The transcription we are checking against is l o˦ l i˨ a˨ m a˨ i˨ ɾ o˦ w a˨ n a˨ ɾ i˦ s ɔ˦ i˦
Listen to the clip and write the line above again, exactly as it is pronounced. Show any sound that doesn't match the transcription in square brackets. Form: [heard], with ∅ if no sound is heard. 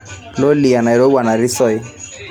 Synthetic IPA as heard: l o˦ l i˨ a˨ [n] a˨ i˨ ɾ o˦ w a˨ n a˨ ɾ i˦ s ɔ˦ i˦